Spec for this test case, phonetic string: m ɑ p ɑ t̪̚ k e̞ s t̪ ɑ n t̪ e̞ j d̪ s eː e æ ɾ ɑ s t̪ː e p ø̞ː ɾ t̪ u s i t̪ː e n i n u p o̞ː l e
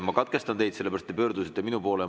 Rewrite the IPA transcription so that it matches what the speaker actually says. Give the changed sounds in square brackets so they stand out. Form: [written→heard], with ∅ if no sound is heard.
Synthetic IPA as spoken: m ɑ [p→k] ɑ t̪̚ k e̞ s t̪ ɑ n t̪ e̞ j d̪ s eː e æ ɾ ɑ s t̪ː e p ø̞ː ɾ [t̪→d̪] u s i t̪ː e [n→m] i n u p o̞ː l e